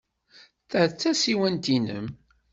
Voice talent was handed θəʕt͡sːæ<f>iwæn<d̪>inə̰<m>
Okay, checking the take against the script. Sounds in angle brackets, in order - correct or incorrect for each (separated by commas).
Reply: incorrect, incorrect, correct